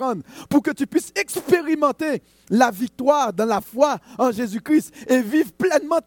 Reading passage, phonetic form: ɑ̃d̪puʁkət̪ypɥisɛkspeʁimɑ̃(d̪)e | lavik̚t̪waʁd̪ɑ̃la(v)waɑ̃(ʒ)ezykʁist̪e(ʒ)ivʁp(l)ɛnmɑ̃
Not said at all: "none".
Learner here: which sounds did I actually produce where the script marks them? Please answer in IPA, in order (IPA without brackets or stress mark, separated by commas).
t̪, f, ʒ, v, l